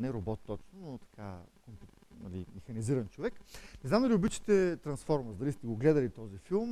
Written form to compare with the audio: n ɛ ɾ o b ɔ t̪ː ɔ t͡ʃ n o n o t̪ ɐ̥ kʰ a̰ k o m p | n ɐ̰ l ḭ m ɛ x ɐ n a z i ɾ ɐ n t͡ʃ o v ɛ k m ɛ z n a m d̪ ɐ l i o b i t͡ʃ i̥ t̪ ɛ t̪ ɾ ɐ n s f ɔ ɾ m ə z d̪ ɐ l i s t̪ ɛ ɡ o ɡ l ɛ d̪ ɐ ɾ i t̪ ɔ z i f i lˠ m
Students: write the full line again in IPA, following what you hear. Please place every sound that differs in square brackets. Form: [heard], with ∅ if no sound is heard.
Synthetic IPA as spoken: n ɛ ɾ o b ɔ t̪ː ɔ t͡ʃ n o n o t̪ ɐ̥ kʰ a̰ k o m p | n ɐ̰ l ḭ m ɛ x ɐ n [i] z i ɾ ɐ n t͡ʃ o v ɛ k [n] ɛ z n a m d̪ ɐ l i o b i t͡ʃ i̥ t̪ ɛ t̪ ɾ ɐ n s f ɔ ɾ m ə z d̪ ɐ l i s t̪ ɛ ɡ o ɡ l ɛ d̪ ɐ [l] i t̪ ɔ z i f i lˠ m